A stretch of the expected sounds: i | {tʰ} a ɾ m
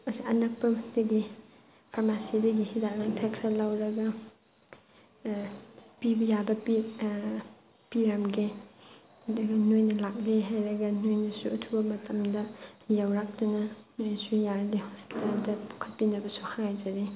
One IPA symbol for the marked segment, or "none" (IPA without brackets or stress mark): pʰ